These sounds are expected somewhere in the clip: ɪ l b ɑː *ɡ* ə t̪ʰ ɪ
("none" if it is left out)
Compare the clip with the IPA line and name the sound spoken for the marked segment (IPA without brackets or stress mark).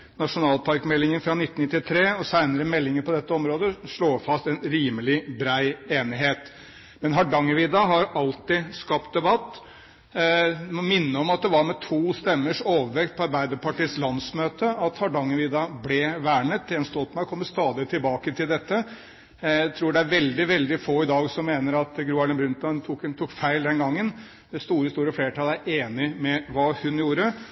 k